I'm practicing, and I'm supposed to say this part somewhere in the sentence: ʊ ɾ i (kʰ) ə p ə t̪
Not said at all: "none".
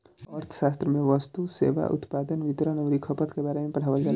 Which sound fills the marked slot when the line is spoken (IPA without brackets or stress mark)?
kʰ